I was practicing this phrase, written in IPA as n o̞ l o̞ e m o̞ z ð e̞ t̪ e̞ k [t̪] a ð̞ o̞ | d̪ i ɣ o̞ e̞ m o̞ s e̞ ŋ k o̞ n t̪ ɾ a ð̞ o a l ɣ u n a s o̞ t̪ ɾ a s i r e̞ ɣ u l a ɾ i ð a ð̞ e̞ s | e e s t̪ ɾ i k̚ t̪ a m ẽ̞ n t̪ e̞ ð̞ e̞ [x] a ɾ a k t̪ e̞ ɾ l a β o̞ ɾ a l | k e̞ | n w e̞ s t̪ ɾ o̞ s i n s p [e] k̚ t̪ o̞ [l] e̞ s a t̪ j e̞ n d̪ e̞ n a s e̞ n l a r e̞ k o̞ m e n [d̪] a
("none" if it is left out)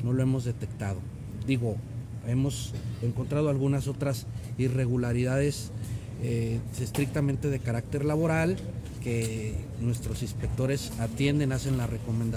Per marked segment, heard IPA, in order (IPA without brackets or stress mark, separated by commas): t̪, k, e, ɾ, d̪